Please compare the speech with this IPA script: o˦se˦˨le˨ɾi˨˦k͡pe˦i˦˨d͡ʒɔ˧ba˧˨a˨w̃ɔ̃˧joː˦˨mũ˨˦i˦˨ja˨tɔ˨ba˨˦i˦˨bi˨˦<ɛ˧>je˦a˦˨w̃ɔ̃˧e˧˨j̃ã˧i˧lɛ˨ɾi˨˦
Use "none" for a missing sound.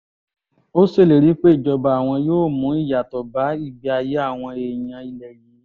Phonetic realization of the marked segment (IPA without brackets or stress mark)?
a˧